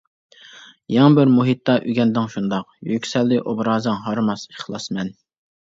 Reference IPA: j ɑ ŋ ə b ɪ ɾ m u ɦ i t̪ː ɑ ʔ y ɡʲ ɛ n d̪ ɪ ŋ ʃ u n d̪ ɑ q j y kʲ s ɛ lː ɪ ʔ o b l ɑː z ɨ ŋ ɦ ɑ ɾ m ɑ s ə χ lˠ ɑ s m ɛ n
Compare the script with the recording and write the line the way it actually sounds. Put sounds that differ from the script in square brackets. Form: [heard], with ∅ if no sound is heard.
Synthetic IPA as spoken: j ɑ ŋ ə b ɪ ɾ m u ɦ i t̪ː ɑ ʔ y ɡʲ ɛ n d̪ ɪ ŋ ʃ u n d̪ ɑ q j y kʲ s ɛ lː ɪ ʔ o b [ɾ] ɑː z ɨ ŋ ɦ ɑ ɾ m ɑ s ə χ lˠ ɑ s m ɛ n